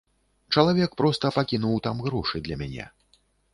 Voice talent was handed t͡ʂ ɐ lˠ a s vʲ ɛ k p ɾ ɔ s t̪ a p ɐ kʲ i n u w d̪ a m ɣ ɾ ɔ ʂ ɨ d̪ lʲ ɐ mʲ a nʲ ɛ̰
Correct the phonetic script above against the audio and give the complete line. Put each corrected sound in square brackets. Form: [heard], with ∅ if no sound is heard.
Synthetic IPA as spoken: t͡ʂ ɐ lˠ a [∅] vʲ ɛ k p ɾ ɔ s t̪ [ɐ] p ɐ kʲ i n u w [t̪] a m ɣ ɾ ɔ ʂ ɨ d̪ lʲ ɐ mʲ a nʲ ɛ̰